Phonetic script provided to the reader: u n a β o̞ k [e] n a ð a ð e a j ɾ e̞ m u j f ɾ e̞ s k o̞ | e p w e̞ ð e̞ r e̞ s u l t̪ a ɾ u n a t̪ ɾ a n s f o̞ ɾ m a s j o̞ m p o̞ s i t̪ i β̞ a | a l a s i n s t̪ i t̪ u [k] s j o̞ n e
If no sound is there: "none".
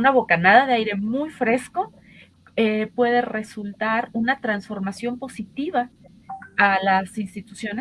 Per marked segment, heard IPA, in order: a, none

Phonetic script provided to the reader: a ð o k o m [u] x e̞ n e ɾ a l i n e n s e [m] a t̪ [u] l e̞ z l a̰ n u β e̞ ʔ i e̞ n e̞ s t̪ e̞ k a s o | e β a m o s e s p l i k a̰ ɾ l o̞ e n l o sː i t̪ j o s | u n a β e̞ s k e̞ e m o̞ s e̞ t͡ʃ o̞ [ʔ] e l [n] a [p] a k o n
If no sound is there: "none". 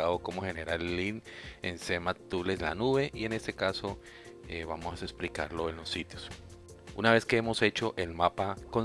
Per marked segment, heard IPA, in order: o, m, u, ʔ, m, p

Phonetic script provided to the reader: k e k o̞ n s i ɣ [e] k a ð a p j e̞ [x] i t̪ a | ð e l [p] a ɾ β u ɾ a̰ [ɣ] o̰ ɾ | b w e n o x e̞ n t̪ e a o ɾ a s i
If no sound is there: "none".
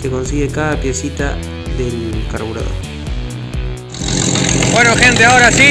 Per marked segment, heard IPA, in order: e, s, k, ð

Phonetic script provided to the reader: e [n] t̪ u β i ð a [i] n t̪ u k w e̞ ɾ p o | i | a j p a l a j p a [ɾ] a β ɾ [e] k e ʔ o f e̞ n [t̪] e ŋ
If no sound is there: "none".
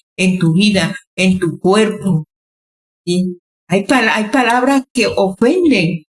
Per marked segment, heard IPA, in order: n, e, l, a, d̪

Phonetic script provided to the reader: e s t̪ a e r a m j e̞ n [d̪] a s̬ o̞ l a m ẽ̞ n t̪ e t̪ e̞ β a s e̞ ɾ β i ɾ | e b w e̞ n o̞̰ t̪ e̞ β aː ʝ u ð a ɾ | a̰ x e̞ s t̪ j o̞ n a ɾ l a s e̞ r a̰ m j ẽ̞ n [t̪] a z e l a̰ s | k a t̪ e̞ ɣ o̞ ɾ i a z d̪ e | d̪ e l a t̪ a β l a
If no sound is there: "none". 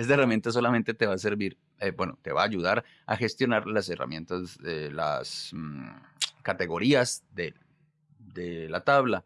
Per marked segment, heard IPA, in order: t̪, t̪

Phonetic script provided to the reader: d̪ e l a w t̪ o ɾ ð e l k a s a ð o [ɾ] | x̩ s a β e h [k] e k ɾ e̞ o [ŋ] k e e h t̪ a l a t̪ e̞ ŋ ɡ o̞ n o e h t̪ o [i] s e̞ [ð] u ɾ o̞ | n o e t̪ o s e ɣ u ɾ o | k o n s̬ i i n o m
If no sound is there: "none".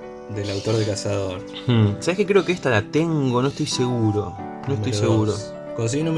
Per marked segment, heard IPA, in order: ɾ, k, none, j, ɣ

